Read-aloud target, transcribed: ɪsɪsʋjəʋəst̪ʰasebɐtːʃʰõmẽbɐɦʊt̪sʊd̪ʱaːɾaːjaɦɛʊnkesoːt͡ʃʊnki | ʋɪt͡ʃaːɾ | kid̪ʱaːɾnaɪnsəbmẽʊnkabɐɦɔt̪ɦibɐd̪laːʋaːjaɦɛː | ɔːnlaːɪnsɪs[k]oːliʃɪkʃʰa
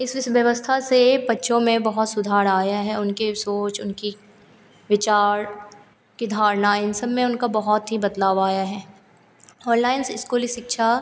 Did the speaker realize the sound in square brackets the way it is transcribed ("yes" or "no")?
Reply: yes